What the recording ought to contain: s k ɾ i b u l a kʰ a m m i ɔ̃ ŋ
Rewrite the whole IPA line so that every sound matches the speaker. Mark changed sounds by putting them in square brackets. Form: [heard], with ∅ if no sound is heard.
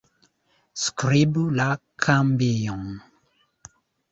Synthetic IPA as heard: s k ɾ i b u l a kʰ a m [b] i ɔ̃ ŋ